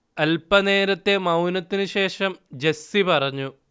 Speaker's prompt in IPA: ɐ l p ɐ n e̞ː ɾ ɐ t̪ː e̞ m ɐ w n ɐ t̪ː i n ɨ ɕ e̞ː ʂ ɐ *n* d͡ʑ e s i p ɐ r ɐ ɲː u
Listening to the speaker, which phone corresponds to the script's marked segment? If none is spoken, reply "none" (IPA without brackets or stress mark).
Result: m